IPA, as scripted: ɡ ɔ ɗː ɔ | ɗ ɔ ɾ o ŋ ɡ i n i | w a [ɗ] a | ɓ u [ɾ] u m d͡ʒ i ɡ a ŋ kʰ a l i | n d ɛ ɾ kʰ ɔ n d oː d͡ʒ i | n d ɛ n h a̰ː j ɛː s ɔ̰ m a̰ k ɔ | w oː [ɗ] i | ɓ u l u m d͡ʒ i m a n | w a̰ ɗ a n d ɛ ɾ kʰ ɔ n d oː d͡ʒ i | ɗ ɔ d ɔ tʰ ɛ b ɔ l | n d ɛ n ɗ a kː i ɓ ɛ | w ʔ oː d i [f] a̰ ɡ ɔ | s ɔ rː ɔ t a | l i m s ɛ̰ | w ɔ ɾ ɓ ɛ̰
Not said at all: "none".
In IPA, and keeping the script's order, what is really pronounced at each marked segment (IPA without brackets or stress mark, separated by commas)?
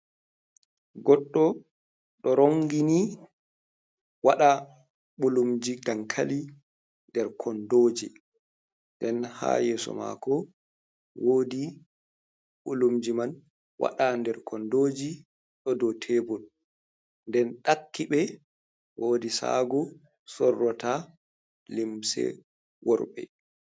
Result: ɗ, l, d, s